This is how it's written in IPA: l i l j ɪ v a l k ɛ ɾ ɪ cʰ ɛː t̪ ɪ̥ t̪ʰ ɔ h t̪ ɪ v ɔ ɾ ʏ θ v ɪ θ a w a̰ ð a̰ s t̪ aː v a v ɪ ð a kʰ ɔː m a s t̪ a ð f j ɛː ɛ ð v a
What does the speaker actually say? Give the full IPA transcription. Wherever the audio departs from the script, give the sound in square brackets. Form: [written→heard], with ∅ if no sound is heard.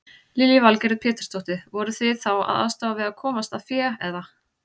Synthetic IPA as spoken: l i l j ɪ v a l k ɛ ɾ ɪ [cʰ→pʰ] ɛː t̪ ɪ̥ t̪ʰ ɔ h t̪ ɪ v ɔ ɾ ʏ θ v ɪ θ a w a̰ ð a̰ s t̪ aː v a v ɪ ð a kʰ ɔː m a s t̪ a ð f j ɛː ɛ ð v a